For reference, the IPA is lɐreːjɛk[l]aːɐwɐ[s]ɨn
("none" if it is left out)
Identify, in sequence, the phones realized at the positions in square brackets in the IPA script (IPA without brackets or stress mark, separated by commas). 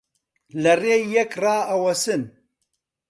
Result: r, s